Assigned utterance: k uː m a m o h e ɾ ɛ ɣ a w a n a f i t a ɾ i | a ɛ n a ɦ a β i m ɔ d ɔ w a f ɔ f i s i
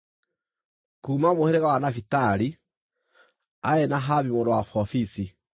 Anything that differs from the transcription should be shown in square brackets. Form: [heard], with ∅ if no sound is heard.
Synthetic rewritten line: k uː m a m o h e ɾ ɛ ɣ a w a n a f i t a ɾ i | a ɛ n a ɦ a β i m [o] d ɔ w a f ɔ f i s i